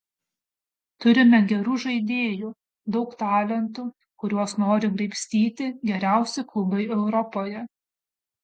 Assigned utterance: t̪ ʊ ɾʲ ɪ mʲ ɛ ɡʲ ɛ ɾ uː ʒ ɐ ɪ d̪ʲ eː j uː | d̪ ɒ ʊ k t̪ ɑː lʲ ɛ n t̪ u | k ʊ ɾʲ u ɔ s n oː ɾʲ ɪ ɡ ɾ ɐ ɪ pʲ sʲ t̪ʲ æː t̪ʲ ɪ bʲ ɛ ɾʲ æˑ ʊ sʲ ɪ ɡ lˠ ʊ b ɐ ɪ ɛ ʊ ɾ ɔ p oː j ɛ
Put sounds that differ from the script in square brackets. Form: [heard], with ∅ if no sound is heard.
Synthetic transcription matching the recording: t̪ ʊ ɾʲ ɪ mʲ ɛ ɡʲ ɛ ɾ uː ʒ ɐ ɪ d̪ʲ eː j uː | d̪ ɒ ʊ k t̪ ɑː lʲ ɛ n t̪ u | k ʊ ɾʲ u ɔ s n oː ɾʲ ɪ ɡ ɾ ɐ ɪ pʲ sʲ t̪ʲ [iː] t̪ʲ ɪ [ɡʲ] ɛ ɾʲ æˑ ʊ sʲ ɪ [k] lˠ ʊ b ɐ ɪ ɛ ʊ ɾ ɔ p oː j ɛ